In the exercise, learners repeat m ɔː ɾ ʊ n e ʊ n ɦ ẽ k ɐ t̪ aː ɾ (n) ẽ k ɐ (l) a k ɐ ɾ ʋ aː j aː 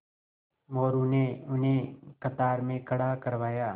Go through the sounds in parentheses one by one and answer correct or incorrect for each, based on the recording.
incorrect: m, incorrect: ɽ

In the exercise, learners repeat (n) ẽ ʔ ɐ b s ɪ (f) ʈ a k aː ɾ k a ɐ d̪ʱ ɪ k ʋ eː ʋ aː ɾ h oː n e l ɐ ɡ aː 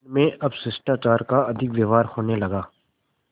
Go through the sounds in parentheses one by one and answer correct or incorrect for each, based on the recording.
incorrect: m, incorrect: s

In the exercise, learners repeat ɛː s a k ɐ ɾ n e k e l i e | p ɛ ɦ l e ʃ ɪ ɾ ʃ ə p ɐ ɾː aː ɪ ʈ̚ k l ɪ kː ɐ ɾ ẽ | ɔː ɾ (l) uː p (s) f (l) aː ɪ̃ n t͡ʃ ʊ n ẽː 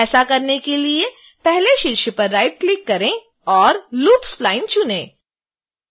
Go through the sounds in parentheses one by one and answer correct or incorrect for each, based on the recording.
correct, correct, correct

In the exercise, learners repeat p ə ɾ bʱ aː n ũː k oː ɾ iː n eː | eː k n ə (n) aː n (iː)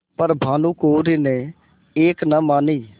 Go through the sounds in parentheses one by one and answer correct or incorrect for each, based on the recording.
incorrect: m, correct

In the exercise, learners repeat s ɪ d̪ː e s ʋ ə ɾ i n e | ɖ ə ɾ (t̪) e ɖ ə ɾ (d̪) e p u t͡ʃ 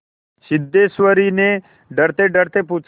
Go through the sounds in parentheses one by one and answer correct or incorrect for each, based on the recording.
correct, incorrect: t̪

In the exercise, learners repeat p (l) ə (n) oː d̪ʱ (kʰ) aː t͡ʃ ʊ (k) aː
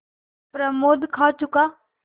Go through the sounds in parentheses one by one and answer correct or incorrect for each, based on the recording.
incorrect: ɾ, incorrect: m, correct, correct

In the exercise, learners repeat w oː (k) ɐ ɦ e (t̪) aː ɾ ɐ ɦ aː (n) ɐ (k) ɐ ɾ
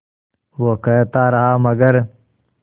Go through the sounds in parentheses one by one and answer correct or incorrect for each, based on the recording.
correct, correct, incorrect: m, incorrect: ɡ

